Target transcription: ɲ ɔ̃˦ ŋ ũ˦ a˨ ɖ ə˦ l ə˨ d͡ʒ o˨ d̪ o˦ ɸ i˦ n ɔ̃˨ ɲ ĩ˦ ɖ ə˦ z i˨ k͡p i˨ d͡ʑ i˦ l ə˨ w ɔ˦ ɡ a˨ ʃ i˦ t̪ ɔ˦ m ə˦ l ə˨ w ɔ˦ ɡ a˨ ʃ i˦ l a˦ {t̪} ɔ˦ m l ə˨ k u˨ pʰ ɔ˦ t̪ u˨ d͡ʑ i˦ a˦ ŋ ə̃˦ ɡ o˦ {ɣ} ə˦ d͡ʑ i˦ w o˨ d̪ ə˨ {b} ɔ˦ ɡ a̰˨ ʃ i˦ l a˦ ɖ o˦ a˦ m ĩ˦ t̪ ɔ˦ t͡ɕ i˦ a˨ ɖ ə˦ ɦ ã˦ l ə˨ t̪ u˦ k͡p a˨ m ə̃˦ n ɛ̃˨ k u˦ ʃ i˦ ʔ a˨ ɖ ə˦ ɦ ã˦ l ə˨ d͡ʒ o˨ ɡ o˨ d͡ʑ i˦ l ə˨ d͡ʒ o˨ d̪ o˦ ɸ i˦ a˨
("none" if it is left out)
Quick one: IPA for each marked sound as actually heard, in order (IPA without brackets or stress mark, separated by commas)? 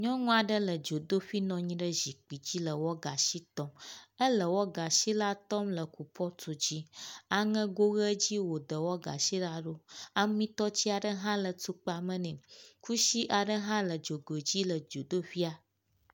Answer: t̪, ɣ, w